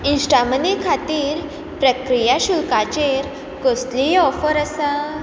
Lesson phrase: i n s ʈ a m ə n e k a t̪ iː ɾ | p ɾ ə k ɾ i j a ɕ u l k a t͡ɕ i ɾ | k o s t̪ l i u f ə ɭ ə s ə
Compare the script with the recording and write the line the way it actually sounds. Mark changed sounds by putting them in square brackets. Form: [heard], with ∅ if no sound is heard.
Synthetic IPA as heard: i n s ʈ a m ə n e [kʰ] a t̪ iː ɾ | p ɾ ə k ɾ i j a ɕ u l k a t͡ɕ [e] ɾ | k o s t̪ l i [ɔ] f ə [ɾ] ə s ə